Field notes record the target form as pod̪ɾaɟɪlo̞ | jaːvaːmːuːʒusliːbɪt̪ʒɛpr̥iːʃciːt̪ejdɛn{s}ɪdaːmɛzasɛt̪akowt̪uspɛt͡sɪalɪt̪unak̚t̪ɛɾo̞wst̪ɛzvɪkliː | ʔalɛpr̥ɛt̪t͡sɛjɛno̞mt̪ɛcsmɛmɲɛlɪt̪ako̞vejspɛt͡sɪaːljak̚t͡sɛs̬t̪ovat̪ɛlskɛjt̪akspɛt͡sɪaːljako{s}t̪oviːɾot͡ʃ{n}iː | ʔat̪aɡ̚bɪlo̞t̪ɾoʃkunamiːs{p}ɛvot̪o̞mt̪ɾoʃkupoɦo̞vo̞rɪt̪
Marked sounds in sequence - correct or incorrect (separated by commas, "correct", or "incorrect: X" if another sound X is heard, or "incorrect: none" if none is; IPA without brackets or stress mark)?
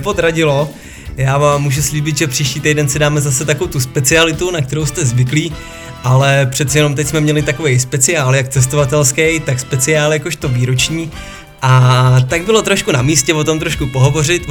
correct, incorrect: ʃ, incorrect: ɲ, incorrect: c